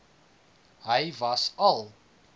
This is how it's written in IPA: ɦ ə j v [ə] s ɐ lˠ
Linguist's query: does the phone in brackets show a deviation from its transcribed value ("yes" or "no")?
yes